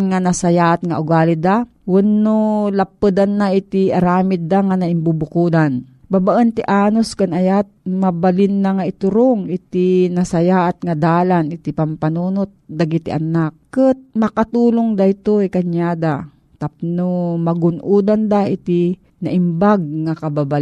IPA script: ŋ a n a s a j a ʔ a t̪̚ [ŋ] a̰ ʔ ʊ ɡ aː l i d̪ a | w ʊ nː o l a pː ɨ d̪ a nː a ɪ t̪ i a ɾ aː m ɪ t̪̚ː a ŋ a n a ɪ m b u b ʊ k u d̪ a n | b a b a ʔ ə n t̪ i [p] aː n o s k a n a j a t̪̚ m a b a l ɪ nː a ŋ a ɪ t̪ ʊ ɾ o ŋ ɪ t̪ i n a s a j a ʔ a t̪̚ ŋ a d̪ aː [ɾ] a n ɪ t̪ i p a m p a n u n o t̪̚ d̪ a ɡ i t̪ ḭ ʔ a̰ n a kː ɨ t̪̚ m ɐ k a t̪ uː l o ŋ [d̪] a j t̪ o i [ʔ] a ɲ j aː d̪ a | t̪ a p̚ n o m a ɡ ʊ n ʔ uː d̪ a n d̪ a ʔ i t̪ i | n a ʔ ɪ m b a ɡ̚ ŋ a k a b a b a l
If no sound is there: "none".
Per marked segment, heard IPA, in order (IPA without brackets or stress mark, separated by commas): ŋ, ʔ, l, d̪, k